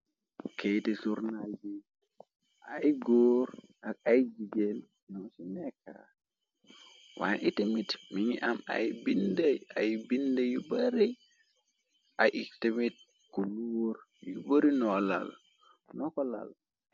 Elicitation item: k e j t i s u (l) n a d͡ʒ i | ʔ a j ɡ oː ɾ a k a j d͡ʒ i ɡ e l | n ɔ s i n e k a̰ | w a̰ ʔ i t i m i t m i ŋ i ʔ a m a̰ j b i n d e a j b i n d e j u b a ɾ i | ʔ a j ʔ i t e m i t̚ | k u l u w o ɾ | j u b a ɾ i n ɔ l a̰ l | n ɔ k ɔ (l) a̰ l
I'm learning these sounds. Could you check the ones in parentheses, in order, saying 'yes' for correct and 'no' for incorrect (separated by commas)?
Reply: no, yes